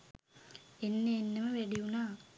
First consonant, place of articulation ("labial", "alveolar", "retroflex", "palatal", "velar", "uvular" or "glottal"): alveolar